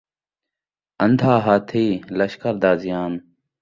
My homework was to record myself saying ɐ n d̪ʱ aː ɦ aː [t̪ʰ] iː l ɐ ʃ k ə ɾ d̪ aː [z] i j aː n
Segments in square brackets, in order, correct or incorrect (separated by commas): correct, correct